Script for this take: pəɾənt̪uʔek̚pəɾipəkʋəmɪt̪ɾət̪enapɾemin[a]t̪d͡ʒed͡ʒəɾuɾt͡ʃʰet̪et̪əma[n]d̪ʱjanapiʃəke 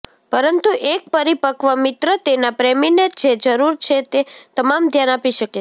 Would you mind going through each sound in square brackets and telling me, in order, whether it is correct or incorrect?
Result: incorrect: e, incorrect: m

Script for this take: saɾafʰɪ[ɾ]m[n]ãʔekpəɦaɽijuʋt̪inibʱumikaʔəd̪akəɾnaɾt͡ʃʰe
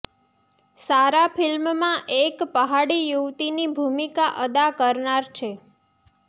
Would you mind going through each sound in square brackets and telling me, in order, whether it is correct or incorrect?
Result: incorrect: l, incorrect: m

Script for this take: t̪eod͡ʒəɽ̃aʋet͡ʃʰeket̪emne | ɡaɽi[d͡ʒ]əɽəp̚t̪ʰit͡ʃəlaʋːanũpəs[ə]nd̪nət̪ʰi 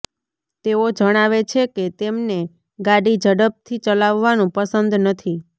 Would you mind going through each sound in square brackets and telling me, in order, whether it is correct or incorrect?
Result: correct, correct

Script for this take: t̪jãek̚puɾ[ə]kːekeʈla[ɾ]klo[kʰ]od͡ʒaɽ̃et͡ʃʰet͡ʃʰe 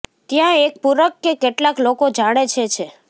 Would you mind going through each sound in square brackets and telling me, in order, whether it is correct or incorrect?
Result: correct, incorrect: none, incorrect: k

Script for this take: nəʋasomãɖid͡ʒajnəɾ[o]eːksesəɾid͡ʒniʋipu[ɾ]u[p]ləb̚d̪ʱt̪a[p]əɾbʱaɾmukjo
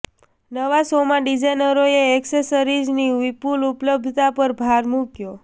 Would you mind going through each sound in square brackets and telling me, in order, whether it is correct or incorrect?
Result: correct, incorrect: l, correct, correct

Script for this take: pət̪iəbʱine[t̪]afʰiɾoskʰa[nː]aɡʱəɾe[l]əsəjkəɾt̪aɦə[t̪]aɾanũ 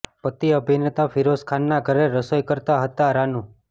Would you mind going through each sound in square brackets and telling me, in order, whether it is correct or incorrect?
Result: correct, correct, incorrect: ɾ, correct

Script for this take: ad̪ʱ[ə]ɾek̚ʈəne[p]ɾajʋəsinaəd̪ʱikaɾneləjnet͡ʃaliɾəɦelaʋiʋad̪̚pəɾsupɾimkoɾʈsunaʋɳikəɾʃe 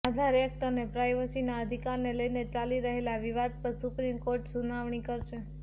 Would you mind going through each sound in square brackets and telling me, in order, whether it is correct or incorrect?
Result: incorrect: a, correct

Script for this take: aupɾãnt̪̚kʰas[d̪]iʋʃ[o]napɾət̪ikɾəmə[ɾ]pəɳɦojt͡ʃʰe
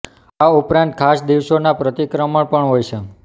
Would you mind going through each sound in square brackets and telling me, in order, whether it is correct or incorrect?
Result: correct, correct, incorrect: ɭ

